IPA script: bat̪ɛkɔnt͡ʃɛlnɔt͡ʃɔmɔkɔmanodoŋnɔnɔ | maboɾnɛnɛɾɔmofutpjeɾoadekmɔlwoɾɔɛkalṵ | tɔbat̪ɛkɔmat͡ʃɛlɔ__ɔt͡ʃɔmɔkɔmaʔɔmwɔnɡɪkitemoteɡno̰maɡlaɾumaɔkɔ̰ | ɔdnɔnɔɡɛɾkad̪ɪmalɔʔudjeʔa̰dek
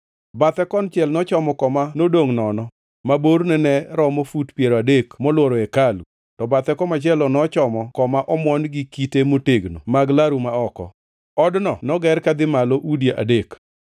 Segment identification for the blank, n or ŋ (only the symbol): n